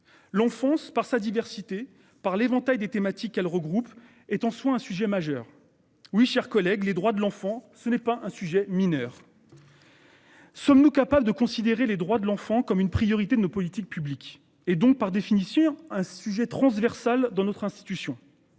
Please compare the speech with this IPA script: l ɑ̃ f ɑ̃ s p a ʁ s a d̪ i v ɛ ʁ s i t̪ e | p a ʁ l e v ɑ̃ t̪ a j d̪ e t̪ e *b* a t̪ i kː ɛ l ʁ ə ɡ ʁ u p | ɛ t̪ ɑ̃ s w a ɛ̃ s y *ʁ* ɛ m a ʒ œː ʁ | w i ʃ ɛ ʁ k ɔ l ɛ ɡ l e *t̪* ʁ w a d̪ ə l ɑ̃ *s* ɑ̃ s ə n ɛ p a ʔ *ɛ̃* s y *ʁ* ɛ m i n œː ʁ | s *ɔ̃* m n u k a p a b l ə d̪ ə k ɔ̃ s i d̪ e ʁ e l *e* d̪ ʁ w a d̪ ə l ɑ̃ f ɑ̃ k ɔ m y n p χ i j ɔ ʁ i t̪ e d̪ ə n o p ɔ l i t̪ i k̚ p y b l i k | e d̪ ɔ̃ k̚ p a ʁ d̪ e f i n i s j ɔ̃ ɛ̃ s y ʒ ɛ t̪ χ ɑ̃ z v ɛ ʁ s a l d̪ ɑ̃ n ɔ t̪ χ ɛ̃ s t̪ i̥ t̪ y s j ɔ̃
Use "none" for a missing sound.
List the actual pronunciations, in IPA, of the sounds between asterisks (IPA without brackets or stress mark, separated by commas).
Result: m, ʒ, d̪, f, ɛ̃, ʒ, ɔ, e